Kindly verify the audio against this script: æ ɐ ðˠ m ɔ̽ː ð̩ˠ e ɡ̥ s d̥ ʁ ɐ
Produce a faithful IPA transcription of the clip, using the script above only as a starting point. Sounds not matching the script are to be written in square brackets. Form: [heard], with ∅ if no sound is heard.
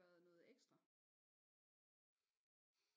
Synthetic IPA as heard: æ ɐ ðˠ [n] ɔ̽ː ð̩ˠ e ɡ̥ s d̥ ʁ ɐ